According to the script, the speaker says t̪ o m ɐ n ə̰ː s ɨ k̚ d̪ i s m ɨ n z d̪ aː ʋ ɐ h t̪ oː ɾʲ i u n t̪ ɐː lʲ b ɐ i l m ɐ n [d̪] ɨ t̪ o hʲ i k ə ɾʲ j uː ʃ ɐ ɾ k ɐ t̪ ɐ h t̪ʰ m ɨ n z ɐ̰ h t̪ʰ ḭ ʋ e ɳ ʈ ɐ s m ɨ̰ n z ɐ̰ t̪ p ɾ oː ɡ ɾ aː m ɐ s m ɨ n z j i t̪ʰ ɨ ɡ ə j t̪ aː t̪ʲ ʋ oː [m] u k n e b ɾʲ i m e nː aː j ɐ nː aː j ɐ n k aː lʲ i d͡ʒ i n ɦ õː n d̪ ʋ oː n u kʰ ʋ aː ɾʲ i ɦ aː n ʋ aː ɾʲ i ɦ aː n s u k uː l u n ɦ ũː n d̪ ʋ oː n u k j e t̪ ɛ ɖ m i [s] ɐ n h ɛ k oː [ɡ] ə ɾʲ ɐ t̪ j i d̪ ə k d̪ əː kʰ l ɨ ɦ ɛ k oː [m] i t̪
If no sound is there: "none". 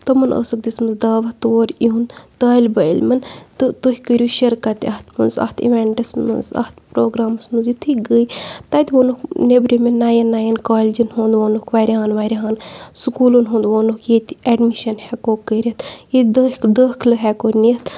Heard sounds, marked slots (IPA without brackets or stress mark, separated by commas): t̪, n, ʃ, k, n